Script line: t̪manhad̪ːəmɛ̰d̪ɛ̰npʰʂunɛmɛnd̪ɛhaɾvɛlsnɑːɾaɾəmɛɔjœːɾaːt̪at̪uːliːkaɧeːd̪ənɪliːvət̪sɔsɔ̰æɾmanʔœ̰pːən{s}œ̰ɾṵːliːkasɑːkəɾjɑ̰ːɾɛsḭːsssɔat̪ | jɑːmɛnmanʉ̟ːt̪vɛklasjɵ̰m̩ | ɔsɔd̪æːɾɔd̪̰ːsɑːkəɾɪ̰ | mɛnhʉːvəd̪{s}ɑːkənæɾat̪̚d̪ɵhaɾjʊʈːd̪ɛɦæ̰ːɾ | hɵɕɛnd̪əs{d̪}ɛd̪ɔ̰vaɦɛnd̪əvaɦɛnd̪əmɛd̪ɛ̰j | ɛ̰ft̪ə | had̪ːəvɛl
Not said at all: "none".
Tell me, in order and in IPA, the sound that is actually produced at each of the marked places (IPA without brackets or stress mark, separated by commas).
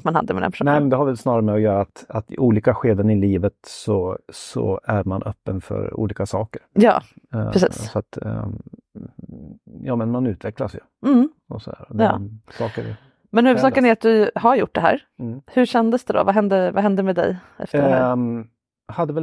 f, s, d̪